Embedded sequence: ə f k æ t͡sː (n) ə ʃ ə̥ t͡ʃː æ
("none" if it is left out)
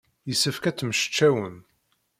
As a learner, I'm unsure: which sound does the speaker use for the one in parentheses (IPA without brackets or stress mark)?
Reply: m